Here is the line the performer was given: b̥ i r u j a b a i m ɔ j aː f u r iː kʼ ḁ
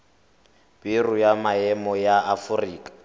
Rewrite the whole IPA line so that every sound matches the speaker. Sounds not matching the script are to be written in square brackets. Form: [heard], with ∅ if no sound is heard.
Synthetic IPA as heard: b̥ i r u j a [m] a [ɛ] m ɔ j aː f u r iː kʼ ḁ